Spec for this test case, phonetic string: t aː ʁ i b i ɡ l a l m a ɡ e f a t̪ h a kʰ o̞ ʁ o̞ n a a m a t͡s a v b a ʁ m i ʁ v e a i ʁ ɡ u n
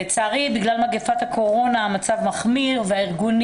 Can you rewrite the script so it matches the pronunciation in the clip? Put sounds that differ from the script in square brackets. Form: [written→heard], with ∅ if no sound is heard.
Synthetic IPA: [t→t͡s] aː ʁ i b i ɡ l a l m a ɡ e f a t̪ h a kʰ o̞ ʁ o̞ n a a m a t͡s a v [b→m] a [ʁ→χ] m i ʁ v e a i ʁ ɡ u n